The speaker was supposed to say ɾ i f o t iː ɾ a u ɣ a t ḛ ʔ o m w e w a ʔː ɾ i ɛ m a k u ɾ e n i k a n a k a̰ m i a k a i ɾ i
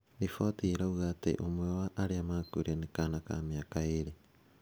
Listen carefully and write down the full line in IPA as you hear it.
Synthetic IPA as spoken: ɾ i f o t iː ɾ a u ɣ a t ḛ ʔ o m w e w a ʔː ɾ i a m a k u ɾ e n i k a n a k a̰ m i a k a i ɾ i